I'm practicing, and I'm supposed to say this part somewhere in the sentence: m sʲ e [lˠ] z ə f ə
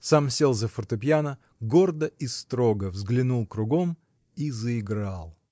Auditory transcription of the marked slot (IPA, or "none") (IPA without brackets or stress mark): lˠ